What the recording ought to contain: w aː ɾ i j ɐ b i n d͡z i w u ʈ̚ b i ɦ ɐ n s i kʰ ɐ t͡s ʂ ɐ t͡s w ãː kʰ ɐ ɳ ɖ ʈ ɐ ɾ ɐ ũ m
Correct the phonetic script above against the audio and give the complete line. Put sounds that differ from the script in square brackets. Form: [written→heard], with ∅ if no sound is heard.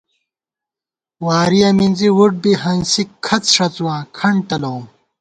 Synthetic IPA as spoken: w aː ɾ i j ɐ [b→m] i n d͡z i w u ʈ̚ b i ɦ ɐ n s i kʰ ɐ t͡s ʂ ɐ t͡s w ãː kʰ ɐ ɳ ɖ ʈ ɐ [ɾ→l] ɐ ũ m